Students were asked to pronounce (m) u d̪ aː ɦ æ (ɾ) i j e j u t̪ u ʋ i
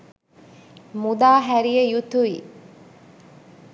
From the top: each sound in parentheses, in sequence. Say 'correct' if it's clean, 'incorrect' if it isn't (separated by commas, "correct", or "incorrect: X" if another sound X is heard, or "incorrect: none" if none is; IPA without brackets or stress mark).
correct, correct